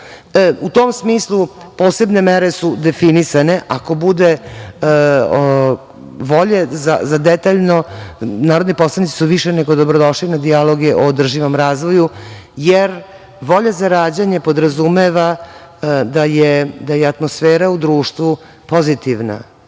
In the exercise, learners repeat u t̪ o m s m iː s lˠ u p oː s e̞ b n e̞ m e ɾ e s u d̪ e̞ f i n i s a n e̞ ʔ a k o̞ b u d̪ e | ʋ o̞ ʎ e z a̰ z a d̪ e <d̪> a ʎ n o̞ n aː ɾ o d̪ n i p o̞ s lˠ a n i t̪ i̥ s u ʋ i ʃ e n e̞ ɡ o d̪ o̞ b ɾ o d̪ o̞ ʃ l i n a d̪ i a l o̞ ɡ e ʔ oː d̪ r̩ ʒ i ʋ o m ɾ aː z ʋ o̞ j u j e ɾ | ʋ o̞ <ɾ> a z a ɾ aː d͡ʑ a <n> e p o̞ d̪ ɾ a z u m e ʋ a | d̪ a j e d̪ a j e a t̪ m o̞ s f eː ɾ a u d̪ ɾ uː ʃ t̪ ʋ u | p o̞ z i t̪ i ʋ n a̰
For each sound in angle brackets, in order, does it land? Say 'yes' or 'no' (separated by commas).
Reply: no, no, no